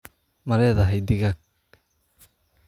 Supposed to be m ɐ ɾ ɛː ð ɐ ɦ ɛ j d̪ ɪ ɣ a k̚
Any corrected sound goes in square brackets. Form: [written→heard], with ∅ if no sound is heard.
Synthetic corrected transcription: m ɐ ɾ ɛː ð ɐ ɦ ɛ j d̪ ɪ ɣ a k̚